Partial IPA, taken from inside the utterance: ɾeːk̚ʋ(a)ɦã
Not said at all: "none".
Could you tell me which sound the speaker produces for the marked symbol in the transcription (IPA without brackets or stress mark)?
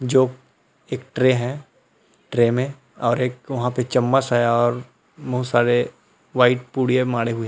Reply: ɐ